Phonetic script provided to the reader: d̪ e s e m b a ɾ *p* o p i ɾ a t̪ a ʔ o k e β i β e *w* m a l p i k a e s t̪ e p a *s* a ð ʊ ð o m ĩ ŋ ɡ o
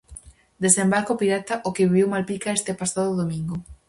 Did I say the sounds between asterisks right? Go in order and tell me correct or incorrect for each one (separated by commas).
incorrect, correct, correct